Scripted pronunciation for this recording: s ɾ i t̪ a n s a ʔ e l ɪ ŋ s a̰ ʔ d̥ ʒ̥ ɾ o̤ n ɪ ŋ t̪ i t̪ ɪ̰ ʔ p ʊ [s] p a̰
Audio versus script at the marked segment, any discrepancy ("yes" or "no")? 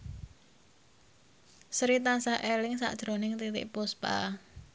no